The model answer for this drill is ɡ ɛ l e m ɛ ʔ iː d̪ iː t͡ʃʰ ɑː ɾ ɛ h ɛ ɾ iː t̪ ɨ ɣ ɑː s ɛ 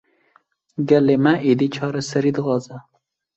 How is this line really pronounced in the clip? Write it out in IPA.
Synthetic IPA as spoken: ɡ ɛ l e m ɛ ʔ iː d̪ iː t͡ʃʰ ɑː ɾ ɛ s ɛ ɾ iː d̪ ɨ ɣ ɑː z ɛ